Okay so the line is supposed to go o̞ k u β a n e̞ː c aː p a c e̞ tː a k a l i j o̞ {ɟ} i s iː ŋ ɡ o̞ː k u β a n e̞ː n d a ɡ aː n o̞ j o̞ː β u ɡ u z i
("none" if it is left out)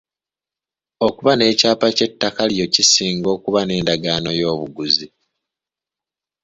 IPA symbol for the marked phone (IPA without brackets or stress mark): c